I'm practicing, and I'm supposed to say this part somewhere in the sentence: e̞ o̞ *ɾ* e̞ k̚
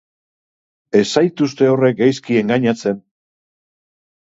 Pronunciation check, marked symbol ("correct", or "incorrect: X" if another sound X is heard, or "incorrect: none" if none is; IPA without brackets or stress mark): incorrect: r